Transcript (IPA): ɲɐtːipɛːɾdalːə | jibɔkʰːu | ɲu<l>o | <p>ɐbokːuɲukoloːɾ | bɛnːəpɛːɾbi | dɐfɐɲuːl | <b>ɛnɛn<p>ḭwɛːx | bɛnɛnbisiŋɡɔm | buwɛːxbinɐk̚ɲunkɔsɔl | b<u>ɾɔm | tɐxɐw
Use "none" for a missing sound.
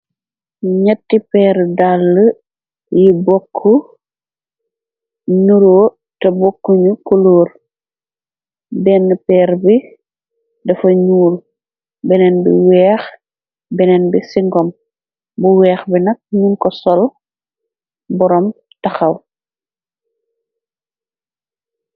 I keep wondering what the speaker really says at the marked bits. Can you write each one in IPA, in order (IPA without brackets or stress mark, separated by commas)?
ɾ, t, b, b, ɔ